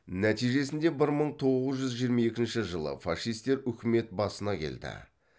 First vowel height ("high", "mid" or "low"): low